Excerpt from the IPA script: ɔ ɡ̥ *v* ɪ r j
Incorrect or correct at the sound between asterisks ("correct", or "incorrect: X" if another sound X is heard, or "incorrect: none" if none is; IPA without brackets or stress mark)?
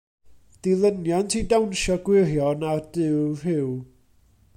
incorrect: w